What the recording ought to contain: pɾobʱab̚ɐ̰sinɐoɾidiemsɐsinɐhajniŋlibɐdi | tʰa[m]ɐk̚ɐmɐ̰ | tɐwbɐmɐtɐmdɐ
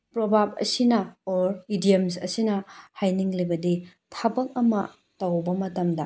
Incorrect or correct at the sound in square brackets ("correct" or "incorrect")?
incorrect